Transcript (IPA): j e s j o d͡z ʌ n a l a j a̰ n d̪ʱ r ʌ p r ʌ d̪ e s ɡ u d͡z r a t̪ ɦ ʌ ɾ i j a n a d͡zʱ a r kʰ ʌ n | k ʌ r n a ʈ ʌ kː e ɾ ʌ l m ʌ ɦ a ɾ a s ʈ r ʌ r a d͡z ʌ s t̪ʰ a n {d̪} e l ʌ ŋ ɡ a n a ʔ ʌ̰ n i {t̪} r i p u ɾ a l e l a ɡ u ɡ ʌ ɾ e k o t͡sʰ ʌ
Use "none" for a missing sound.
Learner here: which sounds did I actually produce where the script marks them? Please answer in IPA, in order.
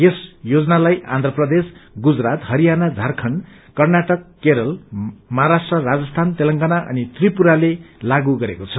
t̪, t̪

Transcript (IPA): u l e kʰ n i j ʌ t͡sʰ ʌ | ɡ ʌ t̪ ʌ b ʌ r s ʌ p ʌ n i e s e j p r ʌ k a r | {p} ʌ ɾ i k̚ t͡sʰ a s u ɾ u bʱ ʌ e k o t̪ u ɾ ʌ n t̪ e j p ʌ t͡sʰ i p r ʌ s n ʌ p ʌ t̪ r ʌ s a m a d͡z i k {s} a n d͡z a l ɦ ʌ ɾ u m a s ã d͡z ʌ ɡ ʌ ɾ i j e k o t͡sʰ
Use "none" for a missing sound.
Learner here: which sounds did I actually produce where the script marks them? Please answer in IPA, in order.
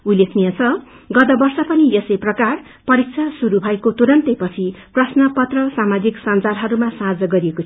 p, s

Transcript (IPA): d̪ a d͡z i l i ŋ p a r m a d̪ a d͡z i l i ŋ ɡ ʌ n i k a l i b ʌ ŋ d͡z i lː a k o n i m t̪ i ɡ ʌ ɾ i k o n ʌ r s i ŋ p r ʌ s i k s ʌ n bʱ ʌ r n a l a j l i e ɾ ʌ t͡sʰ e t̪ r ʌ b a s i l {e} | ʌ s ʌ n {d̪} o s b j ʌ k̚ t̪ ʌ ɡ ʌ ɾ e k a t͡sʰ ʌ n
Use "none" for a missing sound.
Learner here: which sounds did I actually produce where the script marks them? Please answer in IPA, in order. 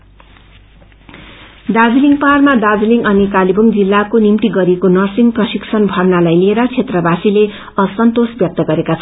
e, t̪

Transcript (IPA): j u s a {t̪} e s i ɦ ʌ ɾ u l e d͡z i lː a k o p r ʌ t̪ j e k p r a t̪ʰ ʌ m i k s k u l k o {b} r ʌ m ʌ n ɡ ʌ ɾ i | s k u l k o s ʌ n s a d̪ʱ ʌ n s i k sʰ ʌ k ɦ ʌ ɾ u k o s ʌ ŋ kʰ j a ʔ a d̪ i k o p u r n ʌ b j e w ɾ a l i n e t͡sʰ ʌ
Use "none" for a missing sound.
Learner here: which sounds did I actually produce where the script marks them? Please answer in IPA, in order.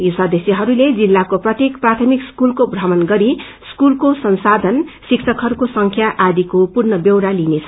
d̪, b

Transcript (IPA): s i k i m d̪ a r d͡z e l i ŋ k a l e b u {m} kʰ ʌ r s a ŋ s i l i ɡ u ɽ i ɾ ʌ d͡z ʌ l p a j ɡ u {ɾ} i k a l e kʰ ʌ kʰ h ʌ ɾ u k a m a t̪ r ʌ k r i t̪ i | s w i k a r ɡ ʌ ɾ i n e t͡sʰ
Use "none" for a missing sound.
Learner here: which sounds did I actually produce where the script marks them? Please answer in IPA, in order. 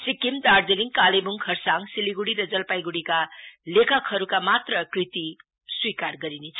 ŋ, ɽ

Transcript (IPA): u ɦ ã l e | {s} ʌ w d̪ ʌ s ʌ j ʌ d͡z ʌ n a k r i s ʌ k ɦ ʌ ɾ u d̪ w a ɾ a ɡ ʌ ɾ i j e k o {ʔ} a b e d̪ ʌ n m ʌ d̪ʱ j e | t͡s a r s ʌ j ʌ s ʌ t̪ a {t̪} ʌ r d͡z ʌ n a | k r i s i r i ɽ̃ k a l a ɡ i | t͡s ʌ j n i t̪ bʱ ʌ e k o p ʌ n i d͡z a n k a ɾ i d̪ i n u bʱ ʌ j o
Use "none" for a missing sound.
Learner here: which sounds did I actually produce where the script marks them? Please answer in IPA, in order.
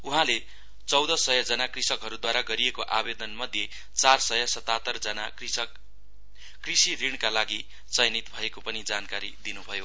t͡s, ʔ, t̪

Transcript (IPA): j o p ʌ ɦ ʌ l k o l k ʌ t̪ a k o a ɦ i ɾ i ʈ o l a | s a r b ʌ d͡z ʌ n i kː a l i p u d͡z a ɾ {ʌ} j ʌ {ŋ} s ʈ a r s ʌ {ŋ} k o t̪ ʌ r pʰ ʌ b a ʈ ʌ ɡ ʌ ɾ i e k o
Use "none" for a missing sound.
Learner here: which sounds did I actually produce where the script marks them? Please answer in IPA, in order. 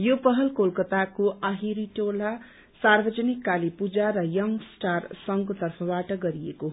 ʌ, ŋ, ŋ

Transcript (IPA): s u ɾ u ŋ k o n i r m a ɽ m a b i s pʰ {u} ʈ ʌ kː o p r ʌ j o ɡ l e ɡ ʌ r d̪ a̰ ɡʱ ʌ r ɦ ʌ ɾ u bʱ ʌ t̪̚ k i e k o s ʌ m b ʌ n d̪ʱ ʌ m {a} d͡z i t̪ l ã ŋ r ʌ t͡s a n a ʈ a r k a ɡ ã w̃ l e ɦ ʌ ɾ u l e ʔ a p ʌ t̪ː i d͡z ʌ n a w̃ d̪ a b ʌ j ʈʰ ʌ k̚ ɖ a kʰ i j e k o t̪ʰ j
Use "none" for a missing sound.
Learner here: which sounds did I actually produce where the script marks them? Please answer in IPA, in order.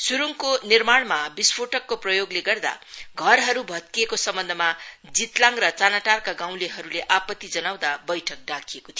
o, a

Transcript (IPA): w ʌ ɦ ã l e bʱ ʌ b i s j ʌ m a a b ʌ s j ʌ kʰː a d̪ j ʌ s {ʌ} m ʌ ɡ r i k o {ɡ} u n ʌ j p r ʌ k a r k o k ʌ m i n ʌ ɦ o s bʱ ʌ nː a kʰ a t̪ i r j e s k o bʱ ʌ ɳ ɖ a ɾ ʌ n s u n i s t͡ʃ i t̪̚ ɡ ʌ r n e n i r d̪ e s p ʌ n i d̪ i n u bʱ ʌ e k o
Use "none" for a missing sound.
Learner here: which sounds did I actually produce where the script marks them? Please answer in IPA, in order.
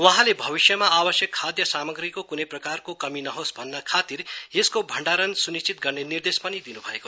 a, k

